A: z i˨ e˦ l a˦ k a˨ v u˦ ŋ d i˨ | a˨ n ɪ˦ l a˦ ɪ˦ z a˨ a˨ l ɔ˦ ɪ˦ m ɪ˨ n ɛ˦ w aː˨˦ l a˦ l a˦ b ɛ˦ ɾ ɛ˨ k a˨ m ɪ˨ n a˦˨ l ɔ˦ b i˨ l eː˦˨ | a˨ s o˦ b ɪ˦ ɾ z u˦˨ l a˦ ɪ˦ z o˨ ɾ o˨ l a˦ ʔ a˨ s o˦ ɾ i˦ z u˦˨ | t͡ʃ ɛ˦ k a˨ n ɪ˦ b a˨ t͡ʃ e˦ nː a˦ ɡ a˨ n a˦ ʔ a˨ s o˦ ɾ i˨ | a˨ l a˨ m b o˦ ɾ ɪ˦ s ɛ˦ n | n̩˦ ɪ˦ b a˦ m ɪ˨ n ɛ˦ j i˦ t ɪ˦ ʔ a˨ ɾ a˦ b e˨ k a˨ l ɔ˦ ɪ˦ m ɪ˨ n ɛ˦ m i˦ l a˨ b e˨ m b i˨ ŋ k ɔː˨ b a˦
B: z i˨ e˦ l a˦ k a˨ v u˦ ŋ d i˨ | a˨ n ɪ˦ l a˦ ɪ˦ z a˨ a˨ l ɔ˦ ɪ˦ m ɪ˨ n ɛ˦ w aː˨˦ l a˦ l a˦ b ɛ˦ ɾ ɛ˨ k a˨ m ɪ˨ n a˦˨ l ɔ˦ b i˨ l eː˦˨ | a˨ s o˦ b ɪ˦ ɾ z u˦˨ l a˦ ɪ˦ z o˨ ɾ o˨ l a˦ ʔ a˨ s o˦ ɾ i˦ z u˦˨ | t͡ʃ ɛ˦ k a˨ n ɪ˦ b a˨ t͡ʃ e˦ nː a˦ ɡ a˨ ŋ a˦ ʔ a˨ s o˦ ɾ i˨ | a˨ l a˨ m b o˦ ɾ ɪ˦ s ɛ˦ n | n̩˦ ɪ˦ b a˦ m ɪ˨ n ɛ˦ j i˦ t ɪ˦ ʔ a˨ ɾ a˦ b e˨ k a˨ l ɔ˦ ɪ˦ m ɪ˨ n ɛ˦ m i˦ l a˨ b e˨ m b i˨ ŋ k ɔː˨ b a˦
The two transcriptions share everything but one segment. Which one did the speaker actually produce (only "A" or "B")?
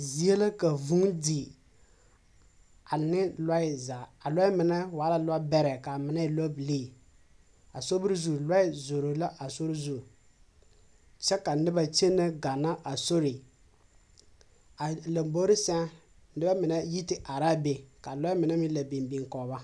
A